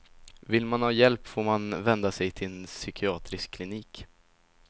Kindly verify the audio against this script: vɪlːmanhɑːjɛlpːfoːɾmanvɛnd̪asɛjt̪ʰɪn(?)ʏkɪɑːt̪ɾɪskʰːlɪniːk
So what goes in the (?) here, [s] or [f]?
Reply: s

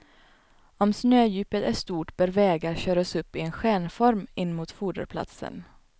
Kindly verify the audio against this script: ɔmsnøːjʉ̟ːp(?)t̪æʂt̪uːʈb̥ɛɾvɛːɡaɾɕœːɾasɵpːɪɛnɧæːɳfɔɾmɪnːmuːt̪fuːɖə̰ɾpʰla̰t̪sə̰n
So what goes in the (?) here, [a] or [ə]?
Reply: ə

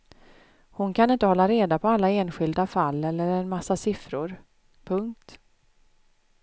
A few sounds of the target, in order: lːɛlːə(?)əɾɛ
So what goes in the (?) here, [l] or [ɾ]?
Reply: ɾ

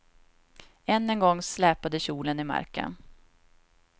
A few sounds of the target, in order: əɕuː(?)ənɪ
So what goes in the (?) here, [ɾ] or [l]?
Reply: l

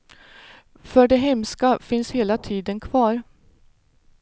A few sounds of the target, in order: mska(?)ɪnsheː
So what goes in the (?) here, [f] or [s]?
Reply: f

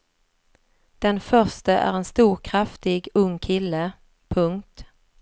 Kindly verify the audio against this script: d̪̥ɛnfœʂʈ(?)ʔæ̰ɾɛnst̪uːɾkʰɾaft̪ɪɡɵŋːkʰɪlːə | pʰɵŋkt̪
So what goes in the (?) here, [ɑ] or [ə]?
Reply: ə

